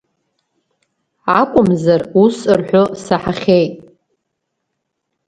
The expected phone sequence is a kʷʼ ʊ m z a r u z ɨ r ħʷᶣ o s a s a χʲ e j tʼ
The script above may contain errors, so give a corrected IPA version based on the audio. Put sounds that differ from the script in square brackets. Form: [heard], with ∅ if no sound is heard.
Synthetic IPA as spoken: a kʷʼ ʊ m z a r u [s] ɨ r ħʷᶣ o s a [ħ] a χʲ e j tʼ